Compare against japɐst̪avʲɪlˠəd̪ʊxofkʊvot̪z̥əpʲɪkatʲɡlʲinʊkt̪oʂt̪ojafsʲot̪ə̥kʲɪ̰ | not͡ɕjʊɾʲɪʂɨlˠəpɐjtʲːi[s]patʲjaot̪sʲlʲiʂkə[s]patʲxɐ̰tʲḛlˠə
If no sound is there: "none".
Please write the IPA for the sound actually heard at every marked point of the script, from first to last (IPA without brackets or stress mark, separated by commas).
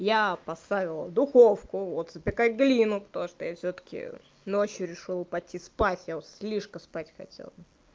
s, s